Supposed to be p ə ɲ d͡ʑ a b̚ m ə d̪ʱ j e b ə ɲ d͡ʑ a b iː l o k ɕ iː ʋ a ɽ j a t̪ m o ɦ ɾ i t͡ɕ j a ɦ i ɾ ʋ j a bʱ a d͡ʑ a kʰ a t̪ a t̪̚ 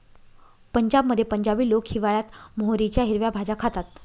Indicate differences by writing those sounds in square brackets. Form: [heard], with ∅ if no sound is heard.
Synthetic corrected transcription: p ə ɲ d͡ʑ a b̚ m ə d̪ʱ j e [p] ə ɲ d͡ʑ a b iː l o k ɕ [i] ʋ a [ɭ] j a t̪ m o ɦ ɾ i t͡ɕ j a ɦ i ɾ ʋ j a bʱ a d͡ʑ a kʰ a t̪ a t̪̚